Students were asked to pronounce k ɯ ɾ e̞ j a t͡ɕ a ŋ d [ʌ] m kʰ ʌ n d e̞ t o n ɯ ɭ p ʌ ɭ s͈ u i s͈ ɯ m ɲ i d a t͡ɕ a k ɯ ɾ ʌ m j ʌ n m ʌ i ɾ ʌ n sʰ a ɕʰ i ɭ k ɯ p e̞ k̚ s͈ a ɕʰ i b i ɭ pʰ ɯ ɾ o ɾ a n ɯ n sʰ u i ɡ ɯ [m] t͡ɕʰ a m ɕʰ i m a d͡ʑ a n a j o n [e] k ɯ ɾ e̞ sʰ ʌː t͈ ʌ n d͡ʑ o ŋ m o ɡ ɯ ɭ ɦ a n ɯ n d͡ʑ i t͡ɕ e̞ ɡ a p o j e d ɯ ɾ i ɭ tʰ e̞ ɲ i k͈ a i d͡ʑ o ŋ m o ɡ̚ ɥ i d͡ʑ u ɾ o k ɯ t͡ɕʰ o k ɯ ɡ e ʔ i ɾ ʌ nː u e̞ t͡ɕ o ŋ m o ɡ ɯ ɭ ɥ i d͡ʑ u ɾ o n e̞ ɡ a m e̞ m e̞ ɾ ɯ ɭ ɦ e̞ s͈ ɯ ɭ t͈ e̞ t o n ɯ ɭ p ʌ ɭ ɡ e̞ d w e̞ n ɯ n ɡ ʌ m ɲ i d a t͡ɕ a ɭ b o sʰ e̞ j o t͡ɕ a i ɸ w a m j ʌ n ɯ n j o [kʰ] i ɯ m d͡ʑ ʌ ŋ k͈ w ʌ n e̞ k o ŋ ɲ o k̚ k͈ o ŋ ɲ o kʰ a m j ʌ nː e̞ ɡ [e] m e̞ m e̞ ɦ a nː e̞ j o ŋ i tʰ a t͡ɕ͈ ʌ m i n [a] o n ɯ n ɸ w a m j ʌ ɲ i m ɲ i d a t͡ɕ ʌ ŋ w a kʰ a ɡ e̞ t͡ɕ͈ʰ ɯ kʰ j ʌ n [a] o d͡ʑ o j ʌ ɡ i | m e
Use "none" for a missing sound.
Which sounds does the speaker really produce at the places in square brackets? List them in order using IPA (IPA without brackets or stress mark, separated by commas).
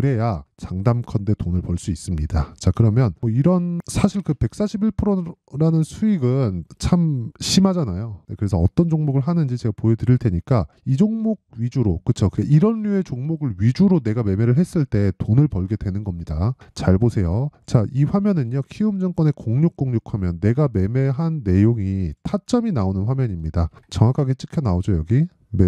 a, n, e, kʰ, a, a, a